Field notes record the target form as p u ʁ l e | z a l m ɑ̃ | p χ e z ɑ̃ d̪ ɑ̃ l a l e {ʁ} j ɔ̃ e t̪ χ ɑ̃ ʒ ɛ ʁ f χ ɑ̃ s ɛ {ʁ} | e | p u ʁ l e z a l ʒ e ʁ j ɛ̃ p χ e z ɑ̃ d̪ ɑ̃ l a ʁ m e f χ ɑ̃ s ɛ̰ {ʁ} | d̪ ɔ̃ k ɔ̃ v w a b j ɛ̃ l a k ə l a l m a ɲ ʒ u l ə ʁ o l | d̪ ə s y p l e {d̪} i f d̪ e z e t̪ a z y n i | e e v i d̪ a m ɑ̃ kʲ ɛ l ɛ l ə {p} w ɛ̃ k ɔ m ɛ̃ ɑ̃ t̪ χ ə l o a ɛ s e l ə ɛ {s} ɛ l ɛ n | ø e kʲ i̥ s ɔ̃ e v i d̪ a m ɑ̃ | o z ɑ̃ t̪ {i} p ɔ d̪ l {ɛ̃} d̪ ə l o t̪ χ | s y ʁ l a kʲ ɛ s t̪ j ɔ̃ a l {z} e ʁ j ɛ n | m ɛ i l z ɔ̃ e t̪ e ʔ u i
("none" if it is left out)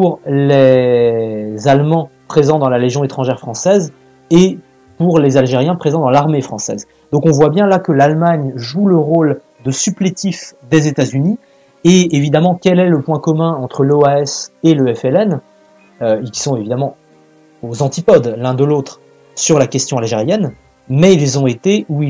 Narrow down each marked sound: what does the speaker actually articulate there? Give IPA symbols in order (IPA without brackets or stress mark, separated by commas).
ʒ, z, z, t̪, p, f, i, ɛ̃, ʒ